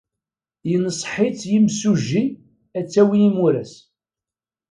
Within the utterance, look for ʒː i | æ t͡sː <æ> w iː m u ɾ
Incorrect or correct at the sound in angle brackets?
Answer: correct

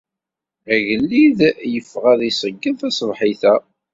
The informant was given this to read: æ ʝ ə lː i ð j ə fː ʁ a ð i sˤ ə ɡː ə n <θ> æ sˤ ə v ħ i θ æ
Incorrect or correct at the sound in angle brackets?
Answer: correct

